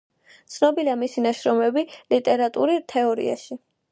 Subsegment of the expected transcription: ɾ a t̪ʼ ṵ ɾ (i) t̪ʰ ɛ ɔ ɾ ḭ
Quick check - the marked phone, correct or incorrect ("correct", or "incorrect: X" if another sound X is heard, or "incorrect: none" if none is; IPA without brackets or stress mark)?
correct